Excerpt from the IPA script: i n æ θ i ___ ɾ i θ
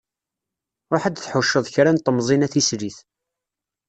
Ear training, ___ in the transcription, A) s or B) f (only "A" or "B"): A